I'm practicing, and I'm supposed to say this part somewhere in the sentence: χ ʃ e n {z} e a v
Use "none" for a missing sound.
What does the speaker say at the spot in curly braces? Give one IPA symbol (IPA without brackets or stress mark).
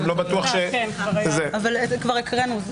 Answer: z